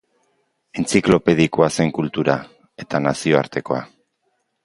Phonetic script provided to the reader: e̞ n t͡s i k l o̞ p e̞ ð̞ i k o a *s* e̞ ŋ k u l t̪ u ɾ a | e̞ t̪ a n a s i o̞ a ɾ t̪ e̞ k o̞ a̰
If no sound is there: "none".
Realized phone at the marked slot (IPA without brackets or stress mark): s